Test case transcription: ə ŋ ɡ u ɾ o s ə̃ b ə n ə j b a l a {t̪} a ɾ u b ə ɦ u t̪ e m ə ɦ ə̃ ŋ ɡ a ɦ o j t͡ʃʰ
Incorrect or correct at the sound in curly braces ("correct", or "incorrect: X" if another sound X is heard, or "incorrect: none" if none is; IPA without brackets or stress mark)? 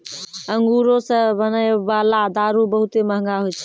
incorrect: d̪